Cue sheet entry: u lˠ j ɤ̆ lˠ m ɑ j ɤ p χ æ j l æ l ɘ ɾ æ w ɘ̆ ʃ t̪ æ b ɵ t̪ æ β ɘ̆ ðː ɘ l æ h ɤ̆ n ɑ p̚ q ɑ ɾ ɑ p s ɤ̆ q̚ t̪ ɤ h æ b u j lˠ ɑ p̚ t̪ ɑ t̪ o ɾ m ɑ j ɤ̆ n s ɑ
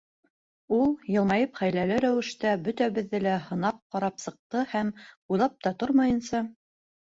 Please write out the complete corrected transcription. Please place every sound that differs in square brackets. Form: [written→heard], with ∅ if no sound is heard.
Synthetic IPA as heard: u lˠ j ɤ̆ lˠ m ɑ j ɤ p χ æ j l æ l ɘ ɾ æ w ɘ̆ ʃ t̪ æ b ɵ t̪ æ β ɘ̆ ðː ɘ l æ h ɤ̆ n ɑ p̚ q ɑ ɾ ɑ p s ɤ̆ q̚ t̪ ɤ h æ [b→m] u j lˠ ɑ p̚ t̪ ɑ t̪ o ɾ m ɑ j ɤ̆ n s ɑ